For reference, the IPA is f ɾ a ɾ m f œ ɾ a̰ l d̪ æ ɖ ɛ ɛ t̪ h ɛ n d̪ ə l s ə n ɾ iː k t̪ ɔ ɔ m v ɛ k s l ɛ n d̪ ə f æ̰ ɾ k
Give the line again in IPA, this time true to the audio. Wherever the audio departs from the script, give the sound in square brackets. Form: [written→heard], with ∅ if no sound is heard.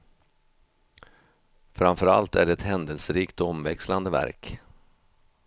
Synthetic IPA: f ɾ a [ɾ→∅] m f œ ɾ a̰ l [d̪→t̪] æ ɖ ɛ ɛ t̪ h ɛ n d̪ ə l s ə [n→∅] ɾ iː k t̪ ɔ ɔ m v ɛ k s l [ɛ→a] n d̪ ə [f→v] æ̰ ɾ k